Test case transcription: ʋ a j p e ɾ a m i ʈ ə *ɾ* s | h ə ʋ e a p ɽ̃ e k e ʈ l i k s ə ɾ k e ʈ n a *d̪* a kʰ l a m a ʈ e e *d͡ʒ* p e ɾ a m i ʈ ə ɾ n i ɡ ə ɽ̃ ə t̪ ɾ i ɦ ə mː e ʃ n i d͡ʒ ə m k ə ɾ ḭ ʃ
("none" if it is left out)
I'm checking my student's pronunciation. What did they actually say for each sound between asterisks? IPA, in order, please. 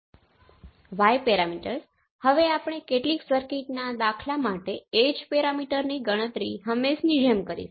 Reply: ɾ, d̪, d͡ʒ

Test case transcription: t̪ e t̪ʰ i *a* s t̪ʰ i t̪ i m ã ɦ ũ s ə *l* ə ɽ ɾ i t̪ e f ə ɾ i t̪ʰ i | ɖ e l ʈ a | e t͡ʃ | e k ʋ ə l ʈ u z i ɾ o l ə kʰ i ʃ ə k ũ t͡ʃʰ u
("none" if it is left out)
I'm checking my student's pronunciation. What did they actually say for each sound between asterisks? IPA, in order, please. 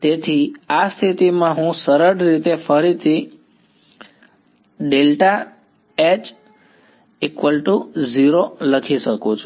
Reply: a, ɾ

